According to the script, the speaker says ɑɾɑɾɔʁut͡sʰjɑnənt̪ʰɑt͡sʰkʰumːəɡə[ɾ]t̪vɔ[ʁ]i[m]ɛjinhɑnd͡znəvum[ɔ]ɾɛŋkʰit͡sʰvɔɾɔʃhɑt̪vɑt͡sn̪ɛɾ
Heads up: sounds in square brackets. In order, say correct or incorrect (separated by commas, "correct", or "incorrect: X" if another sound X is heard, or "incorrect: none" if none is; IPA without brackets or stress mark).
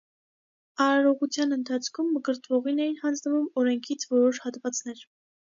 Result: correct, correct, incorrect: n, correct